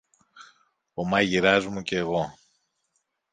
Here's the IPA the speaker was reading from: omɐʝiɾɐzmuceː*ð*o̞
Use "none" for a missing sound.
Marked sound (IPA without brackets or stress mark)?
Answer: ɣ